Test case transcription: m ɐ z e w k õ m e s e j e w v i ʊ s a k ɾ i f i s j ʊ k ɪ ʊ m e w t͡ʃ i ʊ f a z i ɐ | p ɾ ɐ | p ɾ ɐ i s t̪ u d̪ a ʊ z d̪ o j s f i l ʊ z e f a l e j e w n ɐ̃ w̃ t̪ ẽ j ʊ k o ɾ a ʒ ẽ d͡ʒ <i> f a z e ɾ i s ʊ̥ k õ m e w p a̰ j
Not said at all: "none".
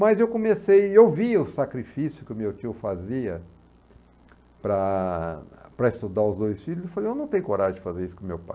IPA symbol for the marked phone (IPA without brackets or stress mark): ɪ